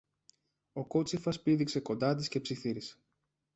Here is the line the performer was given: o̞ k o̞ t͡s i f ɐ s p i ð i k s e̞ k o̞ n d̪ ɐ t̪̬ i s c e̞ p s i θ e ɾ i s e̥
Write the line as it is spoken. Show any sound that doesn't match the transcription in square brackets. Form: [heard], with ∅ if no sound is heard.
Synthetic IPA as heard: o̞ k o̞ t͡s i f ɐ s p i ð i k s e̞ k o̞ n d̪ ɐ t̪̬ i s c e̞ p s i θ [i] ɾ i s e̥